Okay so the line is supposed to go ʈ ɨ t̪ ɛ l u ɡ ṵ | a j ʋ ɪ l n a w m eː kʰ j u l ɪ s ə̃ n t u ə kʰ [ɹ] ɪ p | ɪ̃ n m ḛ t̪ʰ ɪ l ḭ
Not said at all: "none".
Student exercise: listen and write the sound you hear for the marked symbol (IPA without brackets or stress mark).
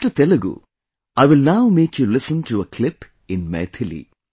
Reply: l